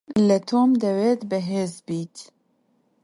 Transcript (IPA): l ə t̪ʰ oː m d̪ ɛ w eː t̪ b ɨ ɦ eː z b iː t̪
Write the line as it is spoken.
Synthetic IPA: l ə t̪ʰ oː m d̪ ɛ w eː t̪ b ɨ ɦ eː z b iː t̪